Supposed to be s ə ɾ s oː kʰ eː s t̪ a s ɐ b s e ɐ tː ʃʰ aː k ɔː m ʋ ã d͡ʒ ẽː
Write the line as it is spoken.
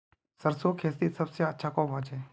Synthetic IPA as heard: s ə ɾ s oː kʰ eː s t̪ i s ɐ b s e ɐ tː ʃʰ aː k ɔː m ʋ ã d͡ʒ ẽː